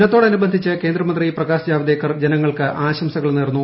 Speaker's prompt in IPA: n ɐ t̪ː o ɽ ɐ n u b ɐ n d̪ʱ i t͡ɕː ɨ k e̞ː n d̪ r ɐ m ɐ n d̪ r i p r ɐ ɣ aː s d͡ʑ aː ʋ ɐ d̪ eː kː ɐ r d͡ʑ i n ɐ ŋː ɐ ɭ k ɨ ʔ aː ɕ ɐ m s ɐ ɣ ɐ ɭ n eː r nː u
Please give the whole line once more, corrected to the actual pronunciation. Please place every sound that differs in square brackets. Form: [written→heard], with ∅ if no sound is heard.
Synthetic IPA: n ɐ t̪ː o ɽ ɐ n u b ɐ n d̪ʱ i t͡ɕː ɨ k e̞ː n d̪ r ɐ m ɐ n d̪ r i p r ɐ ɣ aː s d͡ʑ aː ʋ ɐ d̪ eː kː ɐ r d͡ʑ [i→e] n ɐ ŋː ɐ ɭ k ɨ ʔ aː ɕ ɐ m s ɐ ɣ ɐ ɭ n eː r nː u

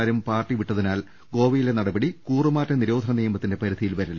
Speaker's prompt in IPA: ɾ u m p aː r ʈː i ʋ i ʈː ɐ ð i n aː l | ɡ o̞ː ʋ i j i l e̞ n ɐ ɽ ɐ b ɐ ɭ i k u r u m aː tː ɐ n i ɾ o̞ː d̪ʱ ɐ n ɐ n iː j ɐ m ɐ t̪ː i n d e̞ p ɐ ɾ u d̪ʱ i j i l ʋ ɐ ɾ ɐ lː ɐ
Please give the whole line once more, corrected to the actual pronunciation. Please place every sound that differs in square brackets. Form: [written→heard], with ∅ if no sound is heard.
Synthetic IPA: ɾ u m p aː r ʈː i ʋ i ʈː ɐ ð i n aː l | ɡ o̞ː ʋ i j i l e̞ n ɐ ɽ ɐ b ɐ [ɭ→ɽ] i k [u→uː] r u m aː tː ɐ n i ɾ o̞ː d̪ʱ ɐ n ɐ n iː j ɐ m ɐ t̪ː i n d e̞ p ɐ ɾ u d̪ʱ i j i l ʋ ɐ ɾ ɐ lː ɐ

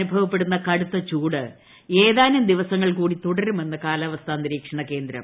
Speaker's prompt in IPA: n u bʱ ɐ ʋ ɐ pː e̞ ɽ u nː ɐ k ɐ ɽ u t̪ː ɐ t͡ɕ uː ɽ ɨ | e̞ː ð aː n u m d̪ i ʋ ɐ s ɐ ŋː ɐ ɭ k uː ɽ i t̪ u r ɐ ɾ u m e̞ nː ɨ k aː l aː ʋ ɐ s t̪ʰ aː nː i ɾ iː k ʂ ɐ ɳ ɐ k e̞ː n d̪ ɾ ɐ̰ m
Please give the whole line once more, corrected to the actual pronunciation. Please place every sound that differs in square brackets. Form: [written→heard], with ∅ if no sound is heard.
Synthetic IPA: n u bʱ ɐ ʋ ɐ pː e̞ ɽ u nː ɐ k ɐ ɽ u t̪ː ɐ t͡ɕ uː ɽ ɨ | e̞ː ð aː n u m d̪ i ʋ ɐ s ɐ ŋː ɐ ɭ k uː ɽ i t̪ u [r→ɽ] ɐ ɾ u m e̞ nː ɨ k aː l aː ʋ ɐ s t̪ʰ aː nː i ɾ iː k ʂ ɐ ɳ ɐ k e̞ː n d̪ ɾ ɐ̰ m

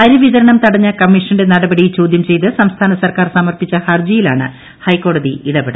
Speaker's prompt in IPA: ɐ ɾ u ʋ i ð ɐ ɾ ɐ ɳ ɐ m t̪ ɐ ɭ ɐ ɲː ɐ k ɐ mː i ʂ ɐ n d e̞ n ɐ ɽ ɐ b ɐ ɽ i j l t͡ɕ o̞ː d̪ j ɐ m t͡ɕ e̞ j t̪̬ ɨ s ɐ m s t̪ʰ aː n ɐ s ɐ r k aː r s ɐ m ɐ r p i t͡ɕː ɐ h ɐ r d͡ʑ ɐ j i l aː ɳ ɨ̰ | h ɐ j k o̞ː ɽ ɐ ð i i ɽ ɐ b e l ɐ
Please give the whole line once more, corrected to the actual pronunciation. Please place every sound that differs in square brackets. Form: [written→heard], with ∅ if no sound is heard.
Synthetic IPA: ɐ ɾ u ʋ i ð ɐ ɾ ɐ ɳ ɐ m t̪ ɐ [ɭ→ɽ] ɐ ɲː ɐ k ɐ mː i ʂ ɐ n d e̞ n ɐ ɽ ɐ b ɐ ɽ i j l t͡ɕ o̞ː d̪ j ɐ m t͡ɕ e̞ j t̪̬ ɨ s ɐ m s t̪ʰ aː n ɐ s ɐ r k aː r s ɐ m ɐ r p i t͡ɕː ɐ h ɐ r d͡ʑ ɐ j i l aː ɳ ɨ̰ | h ɐ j k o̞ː ɽ ɐ ð i i ɽ ɐ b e [l→ɽ] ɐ

